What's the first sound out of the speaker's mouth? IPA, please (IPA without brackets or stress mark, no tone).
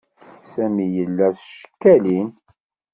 s